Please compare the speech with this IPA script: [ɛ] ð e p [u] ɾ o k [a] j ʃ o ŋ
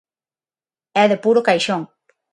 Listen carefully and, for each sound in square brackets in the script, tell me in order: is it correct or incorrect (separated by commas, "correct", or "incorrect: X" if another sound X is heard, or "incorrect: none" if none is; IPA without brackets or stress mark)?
correct, correct, correct